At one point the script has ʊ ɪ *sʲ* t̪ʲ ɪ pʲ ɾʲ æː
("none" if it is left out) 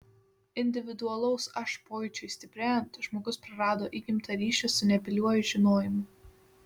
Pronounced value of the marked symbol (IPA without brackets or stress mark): sʲ